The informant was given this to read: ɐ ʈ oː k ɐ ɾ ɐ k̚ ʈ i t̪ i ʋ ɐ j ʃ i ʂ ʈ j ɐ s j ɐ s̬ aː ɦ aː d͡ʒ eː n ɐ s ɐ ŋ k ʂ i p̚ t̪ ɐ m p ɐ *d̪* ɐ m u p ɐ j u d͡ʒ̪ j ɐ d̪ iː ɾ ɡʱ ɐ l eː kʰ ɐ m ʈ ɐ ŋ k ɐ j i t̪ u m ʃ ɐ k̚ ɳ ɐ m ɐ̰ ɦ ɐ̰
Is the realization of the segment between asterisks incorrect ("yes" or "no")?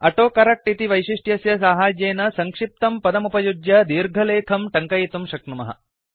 no